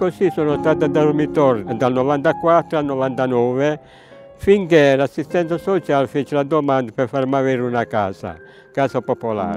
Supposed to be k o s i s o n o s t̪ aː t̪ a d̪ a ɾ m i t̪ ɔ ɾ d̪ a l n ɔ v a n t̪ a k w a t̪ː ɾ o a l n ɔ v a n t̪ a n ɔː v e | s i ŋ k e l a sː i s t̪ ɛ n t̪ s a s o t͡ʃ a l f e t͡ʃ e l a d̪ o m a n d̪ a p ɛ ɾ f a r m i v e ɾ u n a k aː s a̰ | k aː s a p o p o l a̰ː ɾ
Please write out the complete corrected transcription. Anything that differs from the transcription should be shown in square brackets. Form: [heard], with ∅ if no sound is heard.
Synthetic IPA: k o s i s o n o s t̪ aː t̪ a d̪ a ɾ m i t̪ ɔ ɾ d̪ a l n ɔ v a n t̪ a k w a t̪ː ɾ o a l n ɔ v a n t̪ a n ɔː v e | [f] i ŋ k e l a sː i s t̪ ɛ n t̪ s a s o t͡ʃ a l f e t͡ʃ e l a d̪ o m a n d̪ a p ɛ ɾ f a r m [a] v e ɾ u n a k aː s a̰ | k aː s a p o p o l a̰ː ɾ